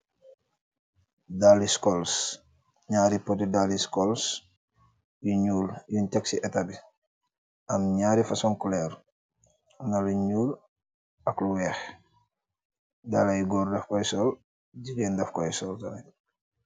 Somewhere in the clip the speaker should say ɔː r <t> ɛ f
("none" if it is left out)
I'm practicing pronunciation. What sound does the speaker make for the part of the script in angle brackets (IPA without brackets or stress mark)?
d